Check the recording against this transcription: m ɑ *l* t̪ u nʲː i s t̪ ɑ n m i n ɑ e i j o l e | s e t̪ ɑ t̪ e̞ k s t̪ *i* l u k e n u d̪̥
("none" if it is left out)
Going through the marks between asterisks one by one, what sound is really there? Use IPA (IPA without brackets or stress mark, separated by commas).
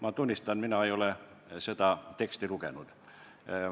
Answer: none, i